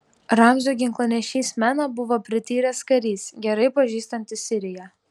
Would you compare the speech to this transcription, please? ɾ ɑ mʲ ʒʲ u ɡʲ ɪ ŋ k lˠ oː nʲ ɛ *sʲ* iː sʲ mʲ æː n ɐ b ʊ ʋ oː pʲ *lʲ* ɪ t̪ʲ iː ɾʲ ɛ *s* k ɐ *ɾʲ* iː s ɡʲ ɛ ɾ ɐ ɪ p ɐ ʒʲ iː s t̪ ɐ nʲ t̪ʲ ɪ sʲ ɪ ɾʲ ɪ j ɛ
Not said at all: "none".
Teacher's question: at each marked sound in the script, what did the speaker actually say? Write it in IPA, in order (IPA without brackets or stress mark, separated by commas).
ʃʲ, ɾʲ, s, ɾʲ